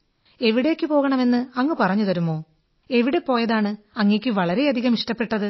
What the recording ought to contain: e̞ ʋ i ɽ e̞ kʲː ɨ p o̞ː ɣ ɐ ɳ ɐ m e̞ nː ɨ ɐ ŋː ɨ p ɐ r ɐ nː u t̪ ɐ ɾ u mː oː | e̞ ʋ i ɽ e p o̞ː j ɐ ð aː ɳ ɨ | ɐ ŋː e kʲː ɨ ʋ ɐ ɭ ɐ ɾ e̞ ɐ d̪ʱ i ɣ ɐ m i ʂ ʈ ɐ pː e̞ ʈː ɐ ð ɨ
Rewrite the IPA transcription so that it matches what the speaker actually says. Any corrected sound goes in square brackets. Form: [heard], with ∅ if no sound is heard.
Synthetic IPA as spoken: e̞ ʋ i ɽ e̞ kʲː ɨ p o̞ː ɣ ɐ ɳ ɐ m e̞ nː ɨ ɐ ŋː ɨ p ɐ r ɐ [ɲː] u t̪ ɐ ɾ u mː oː | e̞ ʋ i ɽ e p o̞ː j ɐ ð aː ɳ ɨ | ɐ ŋː e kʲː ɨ ʋ ɐ ɭ ɐ ɾ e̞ ɐ d̪ʱ i ɣ ɐ m i ʂ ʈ ɐ pː e̞ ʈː ɐ ð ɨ